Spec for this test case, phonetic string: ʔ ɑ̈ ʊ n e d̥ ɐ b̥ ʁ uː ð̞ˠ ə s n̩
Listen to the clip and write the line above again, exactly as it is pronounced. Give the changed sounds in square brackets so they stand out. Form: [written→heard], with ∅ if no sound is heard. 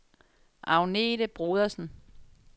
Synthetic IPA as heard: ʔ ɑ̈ ʊ n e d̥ [ɐ→ə] b̥ ʁ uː ð̞ˠ [ə→ɐ] s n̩